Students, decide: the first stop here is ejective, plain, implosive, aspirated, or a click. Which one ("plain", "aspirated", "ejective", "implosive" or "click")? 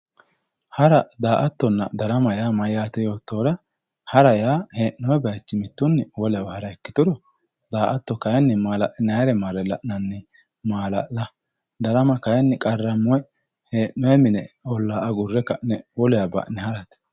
plain